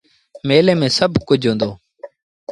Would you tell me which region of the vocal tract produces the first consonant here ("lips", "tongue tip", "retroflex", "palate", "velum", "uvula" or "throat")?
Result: lips